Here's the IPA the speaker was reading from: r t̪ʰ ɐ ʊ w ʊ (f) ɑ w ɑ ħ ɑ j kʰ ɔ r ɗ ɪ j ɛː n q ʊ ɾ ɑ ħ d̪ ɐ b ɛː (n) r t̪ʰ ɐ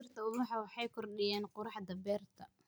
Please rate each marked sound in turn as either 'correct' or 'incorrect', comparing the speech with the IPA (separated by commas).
incorrect, incorrect